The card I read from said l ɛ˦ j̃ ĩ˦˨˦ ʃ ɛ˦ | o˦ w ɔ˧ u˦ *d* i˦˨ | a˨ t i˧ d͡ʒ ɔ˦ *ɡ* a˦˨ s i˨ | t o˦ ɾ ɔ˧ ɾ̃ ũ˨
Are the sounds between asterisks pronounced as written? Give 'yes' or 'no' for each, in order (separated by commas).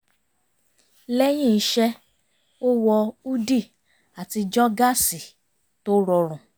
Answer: yes, yes